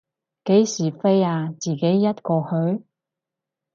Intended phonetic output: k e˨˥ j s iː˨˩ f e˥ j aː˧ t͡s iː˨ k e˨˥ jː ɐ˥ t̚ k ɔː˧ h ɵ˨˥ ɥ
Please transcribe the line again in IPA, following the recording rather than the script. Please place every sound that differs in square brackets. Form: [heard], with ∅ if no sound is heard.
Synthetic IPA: k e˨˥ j s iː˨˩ f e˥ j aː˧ t͡s iː˨ k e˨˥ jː ɐ˥ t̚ k ɔː˧ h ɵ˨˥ ɥ